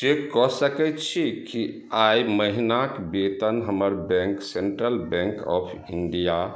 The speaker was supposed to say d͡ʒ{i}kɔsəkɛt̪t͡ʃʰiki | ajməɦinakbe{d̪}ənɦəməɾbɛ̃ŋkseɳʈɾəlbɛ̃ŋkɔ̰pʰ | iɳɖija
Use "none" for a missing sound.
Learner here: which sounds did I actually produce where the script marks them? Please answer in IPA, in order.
e, t̪

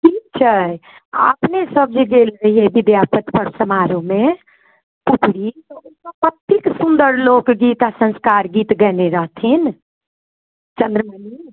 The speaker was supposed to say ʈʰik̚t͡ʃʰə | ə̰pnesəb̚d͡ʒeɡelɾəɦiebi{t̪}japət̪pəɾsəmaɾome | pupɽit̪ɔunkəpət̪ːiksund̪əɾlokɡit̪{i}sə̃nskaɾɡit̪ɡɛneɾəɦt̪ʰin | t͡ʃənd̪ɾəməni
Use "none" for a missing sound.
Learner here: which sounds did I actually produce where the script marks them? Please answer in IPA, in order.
d̪, a

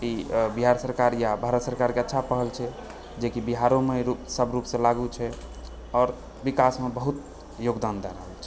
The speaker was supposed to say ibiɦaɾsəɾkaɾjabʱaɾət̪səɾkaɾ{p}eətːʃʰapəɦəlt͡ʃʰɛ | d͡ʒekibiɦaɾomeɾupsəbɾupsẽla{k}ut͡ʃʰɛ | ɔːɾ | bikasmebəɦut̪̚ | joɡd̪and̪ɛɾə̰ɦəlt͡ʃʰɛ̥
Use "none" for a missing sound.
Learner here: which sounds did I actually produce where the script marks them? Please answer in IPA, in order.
k, ɡ

